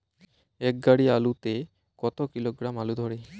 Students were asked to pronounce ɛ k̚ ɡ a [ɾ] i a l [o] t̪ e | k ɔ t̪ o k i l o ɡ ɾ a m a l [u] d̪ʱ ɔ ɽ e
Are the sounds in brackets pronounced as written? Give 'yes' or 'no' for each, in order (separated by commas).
no, no, yes